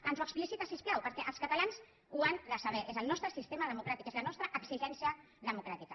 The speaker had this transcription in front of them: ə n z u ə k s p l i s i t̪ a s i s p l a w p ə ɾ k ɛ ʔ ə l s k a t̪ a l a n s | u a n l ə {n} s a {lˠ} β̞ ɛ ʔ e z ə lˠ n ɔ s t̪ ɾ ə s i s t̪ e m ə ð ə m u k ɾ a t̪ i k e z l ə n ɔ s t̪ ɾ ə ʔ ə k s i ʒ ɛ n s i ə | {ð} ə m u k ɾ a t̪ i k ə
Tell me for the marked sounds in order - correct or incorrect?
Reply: incorrect, incorrect, correct

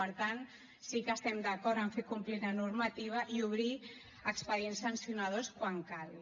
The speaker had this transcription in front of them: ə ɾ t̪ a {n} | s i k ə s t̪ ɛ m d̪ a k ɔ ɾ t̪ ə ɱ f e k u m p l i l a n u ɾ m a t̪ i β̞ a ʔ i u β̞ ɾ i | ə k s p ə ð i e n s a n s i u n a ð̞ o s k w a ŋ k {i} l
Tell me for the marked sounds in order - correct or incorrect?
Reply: correct, incorrect

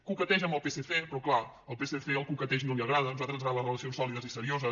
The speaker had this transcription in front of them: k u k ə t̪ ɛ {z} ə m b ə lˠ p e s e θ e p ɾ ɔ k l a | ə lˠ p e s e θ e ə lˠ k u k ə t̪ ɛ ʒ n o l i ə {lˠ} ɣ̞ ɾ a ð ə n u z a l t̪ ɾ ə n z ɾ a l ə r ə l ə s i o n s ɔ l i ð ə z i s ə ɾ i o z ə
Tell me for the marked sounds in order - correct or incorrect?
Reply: incorrect, incorrect

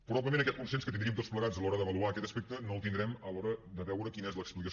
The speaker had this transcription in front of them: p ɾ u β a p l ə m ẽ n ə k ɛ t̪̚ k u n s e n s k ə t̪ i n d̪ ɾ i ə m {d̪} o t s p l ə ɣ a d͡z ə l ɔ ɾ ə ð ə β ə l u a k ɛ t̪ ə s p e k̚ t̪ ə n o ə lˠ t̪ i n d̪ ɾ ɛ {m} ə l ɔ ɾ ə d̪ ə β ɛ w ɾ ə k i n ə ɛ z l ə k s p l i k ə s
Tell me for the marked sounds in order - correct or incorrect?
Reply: incorrect, correct

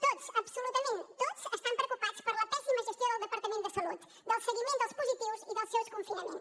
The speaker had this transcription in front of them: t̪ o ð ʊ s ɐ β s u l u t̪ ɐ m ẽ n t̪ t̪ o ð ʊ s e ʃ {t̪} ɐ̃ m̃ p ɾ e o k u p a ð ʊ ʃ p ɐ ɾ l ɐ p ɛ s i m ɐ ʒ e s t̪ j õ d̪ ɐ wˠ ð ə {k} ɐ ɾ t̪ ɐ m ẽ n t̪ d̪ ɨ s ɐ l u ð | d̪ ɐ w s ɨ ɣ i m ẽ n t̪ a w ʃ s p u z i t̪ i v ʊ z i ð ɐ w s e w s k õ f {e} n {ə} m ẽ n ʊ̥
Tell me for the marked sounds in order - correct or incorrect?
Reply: correct, incorrect, incorrect, incorrect

